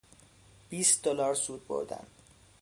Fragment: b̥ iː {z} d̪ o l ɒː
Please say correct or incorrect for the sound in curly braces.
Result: incorrect